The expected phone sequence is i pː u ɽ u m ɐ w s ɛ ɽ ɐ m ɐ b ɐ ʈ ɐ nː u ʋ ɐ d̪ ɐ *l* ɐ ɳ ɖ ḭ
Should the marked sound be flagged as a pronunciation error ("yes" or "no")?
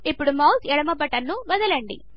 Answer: no